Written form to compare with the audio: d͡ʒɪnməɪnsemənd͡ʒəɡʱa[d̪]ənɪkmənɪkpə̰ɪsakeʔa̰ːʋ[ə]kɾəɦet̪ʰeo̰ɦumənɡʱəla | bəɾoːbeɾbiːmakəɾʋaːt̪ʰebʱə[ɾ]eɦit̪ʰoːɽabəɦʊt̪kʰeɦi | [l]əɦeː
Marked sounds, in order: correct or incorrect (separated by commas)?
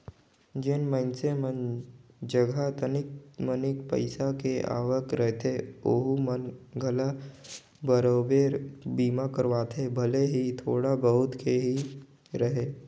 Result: incorrect, correct, incorrect, incorrect